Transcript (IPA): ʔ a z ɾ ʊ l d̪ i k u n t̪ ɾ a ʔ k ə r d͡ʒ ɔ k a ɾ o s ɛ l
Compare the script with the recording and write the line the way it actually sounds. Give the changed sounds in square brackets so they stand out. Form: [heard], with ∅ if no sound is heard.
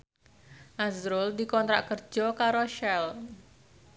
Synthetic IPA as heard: ʔ a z ɾ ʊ l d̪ i k [ɔ] n t̪ ɾ a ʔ k ə r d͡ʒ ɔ k a ɾ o [ʃ] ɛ l